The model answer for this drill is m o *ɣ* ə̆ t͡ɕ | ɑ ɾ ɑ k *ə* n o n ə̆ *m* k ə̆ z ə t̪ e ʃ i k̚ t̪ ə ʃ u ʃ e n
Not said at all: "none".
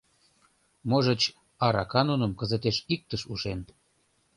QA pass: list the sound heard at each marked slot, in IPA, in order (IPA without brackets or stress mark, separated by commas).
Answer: ʒ, ɑ, m